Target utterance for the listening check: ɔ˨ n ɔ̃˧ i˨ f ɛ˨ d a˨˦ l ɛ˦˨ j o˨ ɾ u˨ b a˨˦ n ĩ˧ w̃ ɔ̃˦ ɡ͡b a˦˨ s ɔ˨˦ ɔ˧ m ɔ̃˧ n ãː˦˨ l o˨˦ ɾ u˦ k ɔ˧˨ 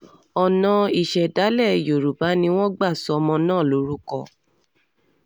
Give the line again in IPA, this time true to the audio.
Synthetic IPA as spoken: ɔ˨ n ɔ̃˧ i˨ ʃ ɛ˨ d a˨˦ l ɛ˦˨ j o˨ ɾ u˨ b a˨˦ n ĩ˧ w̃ ɔ̃˦ ɡ͡b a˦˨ s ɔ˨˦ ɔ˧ m ɔ̃˧ n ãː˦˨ l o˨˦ ɾ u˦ k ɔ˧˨

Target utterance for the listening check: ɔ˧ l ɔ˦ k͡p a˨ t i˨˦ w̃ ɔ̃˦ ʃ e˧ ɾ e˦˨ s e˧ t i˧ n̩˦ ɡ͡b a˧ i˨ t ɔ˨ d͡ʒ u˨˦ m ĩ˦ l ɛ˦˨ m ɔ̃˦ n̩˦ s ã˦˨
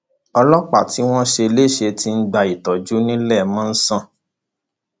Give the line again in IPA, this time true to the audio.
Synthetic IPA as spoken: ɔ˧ l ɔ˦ k͡p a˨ t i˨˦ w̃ ɔ̃˦ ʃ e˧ l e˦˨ ʃ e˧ t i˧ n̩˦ ɡ͡b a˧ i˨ t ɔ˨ d͡ʒ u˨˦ n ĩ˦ l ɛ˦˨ m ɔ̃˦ n̩˦ s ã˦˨

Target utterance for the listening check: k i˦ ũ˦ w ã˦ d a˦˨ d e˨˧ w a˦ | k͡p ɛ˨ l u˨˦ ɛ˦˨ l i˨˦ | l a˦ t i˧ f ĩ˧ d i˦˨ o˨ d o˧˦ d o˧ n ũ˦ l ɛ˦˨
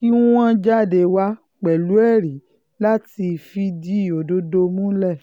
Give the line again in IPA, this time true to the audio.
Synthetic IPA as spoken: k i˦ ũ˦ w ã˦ d͡ʒ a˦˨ d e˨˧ w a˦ | k͡p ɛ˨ l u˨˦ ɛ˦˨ ɾ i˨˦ | l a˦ t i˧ f i˧ d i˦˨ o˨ d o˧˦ d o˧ m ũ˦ l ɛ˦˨

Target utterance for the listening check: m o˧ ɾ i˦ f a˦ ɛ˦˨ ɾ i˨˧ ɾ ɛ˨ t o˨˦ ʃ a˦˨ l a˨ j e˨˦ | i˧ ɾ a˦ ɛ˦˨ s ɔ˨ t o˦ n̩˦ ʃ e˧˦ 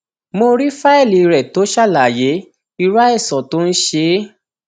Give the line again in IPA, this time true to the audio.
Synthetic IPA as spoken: m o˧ ɾ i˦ f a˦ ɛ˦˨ l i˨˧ ɾ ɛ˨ t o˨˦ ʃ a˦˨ l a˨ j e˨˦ | i˧ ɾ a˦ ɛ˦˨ s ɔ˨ t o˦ n̩˦ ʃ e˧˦

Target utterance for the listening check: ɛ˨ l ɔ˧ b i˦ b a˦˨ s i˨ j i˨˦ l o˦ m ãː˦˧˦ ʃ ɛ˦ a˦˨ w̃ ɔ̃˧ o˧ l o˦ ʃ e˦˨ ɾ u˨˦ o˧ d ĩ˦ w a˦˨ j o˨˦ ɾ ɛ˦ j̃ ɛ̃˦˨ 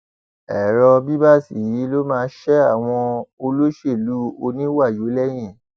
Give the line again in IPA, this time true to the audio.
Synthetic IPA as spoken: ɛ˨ ɾ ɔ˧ b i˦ b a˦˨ s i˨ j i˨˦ l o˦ m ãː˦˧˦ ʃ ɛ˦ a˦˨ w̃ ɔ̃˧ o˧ l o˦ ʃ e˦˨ l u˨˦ o˧ n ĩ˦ w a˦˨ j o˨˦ l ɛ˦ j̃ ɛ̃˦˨

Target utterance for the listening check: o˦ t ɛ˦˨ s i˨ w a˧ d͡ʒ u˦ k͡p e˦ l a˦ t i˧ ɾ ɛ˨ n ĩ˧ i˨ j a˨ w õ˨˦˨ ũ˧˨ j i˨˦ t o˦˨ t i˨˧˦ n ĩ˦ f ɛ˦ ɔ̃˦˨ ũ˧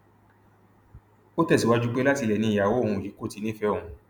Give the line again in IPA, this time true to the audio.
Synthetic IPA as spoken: o˦ t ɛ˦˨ s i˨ w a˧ d͡ʒ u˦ k͡p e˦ l a˦ t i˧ l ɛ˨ n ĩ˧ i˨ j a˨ w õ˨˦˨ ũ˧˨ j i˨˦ k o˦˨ t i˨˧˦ n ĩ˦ f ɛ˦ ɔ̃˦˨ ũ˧

